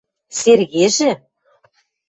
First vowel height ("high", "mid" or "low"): mid